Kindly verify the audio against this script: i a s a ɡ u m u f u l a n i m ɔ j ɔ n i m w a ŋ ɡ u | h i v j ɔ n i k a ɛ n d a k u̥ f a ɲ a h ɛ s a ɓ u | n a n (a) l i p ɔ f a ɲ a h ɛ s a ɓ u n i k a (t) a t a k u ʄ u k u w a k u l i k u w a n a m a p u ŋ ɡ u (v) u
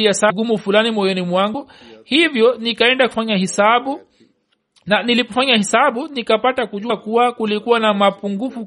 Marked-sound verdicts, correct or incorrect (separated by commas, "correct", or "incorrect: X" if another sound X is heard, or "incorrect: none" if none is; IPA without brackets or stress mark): incorrect: i, incorrect: p, incorrect: f